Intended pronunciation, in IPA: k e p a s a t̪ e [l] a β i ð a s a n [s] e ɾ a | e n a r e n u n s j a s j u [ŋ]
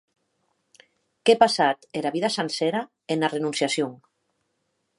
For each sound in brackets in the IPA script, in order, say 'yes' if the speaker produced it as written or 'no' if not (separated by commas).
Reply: no, yes, yes